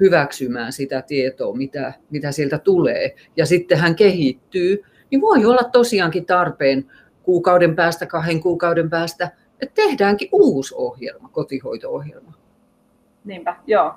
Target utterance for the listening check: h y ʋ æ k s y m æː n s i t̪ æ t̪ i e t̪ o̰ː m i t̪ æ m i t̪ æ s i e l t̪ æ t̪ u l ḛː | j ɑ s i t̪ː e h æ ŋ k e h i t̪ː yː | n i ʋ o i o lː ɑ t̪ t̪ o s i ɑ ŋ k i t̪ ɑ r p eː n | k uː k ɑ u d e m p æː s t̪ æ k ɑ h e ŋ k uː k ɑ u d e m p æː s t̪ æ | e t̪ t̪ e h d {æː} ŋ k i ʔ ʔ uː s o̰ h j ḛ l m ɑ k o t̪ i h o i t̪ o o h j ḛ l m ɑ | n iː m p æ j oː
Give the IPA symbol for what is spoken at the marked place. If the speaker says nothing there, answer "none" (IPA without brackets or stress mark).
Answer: æː